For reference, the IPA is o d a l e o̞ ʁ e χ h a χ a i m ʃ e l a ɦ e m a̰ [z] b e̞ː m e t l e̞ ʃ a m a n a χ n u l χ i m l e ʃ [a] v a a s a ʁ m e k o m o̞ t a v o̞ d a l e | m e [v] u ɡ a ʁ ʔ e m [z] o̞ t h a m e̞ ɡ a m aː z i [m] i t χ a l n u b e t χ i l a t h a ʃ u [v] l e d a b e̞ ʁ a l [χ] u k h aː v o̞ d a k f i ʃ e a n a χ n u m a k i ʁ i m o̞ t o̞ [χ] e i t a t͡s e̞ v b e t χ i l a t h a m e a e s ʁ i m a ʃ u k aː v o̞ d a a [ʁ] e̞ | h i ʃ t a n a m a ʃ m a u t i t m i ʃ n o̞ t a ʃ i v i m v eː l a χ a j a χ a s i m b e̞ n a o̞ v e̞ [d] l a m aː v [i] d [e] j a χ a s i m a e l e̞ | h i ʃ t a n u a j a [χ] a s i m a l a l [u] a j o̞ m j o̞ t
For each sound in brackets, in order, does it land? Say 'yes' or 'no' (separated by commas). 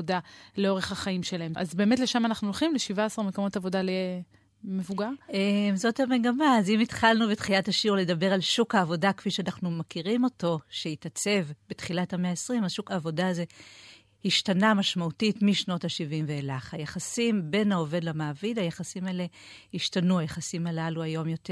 yes, no, yes, yes, yes, no, no, no, no, yes, yes, no, yes, yes